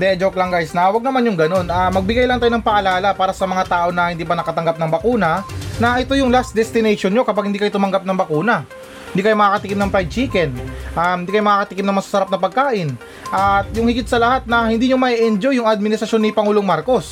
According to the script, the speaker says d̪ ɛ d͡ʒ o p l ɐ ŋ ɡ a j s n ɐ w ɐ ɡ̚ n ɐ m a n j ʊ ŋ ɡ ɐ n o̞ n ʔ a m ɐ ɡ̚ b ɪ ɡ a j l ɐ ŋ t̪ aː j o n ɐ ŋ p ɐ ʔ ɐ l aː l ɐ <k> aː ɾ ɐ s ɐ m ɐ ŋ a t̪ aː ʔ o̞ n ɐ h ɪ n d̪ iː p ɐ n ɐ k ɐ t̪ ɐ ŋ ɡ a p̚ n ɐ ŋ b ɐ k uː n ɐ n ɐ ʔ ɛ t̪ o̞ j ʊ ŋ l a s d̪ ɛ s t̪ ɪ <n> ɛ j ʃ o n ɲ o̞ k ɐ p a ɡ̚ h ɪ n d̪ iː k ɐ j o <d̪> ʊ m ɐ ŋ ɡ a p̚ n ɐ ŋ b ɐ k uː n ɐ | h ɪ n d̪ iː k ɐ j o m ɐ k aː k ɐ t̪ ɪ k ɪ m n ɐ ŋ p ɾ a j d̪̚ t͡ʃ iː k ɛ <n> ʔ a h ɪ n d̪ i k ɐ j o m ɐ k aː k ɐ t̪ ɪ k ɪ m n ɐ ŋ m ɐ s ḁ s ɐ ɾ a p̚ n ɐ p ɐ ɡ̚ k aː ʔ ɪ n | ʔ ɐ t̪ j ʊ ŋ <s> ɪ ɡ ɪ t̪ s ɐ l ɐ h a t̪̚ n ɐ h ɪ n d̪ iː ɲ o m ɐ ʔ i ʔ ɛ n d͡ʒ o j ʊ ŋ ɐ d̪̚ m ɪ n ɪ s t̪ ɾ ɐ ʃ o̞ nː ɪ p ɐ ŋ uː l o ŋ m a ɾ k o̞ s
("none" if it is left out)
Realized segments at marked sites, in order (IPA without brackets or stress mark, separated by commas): p, n, t̪, n, h